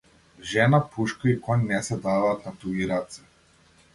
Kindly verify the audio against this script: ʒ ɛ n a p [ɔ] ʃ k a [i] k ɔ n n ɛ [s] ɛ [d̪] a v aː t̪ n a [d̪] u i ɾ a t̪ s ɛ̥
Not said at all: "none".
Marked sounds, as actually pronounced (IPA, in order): u, i, s, d̪, t̪

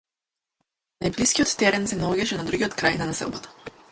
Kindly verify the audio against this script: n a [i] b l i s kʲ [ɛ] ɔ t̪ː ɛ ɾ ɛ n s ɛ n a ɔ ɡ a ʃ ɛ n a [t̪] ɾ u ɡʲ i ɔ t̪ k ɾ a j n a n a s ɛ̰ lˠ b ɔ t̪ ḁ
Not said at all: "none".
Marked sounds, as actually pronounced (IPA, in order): j, i, d̪

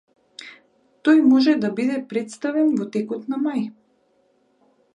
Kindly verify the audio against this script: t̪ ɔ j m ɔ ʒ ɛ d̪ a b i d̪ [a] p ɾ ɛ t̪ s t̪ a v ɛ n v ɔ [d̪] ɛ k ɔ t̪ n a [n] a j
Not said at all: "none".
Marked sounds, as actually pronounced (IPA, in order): ɛ, t̪, m

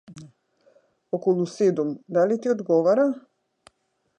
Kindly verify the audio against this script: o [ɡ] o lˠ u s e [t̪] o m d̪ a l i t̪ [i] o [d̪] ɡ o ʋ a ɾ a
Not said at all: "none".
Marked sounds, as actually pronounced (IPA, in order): k, d̪, i, d̪

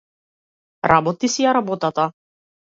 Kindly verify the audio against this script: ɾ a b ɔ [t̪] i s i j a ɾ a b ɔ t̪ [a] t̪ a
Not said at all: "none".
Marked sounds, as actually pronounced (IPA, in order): t̪, a

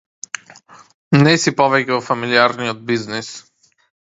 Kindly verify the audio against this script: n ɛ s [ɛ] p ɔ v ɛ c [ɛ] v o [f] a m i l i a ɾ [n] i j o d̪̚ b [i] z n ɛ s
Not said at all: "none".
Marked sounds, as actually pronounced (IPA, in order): i, ɛ, f, n, i

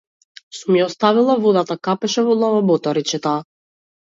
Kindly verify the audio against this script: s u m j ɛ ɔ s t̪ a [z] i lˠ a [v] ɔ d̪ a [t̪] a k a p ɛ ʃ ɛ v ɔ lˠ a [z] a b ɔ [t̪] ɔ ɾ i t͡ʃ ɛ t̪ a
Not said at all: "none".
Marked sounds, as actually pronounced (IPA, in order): v, v, t̪, v, t̪

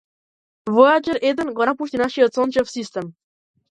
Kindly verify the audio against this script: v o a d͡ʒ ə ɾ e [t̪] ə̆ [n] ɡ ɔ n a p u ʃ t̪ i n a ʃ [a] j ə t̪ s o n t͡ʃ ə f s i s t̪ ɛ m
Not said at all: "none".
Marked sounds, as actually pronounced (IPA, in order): d̪, n, i

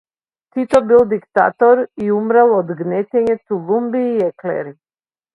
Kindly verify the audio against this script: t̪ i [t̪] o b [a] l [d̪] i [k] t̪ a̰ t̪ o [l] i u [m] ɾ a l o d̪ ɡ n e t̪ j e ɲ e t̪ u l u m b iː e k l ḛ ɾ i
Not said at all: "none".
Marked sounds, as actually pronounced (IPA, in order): t̪, i, d̪, k, ɾ, m

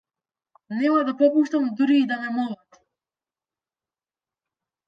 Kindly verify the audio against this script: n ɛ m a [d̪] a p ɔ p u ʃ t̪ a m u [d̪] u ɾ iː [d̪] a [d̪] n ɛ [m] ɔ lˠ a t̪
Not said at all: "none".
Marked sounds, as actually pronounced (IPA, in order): d̪, d̪, d̪, none, m

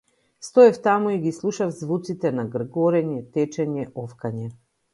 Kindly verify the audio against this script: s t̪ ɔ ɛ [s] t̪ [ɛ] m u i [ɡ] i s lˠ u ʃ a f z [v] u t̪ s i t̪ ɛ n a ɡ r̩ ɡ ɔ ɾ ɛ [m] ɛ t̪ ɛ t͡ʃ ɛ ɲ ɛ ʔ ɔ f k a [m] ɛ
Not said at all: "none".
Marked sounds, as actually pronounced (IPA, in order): f, a, ɡ, v, ɲ, ɲ

